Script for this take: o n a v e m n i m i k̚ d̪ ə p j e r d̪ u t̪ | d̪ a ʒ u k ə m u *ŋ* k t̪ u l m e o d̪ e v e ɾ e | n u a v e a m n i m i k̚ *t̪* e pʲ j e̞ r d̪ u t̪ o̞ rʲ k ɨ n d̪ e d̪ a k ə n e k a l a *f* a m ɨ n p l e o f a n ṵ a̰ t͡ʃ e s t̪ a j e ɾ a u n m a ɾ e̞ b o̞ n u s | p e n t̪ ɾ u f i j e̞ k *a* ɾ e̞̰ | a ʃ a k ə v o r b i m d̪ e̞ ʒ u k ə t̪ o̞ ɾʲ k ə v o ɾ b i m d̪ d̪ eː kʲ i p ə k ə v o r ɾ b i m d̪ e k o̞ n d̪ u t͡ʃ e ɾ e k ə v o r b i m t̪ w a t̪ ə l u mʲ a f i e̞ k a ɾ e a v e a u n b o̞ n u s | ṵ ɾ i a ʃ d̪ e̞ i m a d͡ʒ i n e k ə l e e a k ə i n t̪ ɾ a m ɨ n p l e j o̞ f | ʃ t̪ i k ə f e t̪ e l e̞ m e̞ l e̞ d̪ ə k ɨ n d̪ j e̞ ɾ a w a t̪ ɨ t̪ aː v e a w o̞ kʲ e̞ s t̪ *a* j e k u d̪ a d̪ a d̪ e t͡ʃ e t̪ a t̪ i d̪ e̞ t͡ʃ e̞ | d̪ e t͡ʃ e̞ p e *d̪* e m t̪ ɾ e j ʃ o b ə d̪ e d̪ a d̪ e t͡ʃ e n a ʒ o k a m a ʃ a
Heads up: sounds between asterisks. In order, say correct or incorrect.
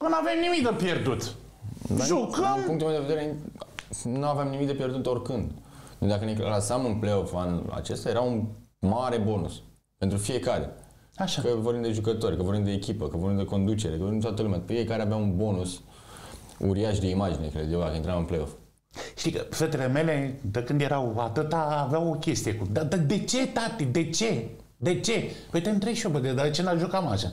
correct, incorrect: d̪, incorrect: s, correct, incorrect: i, incorrect: t̪

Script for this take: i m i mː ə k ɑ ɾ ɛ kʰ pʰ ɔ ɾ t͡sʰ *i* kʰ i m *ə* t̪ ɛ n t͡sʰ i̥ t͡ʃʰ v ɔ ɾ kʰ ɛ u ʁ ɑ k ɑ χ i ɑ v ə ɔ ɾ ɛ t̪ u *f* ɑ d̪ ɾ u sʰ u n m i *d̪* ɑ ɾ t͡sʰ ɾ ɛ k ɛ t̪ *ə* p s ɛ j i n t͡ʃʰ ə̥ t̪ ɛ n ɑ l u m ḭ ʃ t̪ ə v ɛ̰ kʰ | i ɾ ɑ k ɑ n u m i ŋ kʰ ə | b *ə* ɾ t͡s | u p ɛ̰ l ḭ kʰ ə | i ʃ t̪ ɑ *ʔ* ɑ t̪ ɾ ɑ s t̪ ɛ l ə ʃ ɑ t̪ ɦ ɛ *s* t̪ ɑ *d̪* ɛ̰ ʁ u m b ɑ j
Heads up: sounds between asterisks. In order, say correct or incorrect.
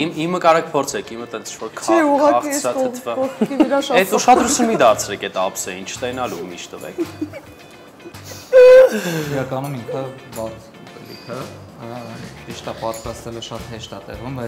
incorrect: ɛ, correct, incorrect: ʃ, correct, incorrect: ɑ, incorrect: ɑ, incorrect: p, incorrect: ʃ, incorrect: t̪

